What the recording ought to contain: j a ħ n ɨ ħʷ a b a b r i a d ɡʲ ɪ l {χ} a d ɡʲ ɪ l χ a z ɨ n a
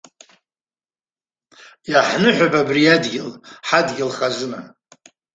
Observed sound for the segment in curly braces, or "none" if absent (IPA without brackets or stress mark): ħ